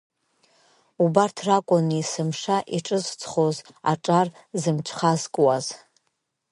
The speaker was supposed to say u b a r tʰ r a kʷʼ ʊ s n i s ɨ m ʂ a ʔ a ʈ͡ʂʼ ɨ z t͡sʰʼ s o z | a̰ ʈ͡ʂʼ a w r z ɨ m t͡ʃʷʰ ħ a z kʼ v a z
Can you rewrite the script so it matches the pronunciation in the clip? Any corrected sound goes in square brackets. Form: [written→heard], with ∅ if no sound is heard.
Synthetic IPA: u b a r tʰ r a kʷʼ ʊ [s→∅] n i s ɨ m ʂ a ʔ [a→i] ʈ͡ʂʼ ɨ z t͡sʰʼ [s→χ] o z | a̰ ʈ͡ʂʼ a [w→∅] r z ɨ m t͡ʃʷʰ [ħ→χ] a z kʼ [v→w] a z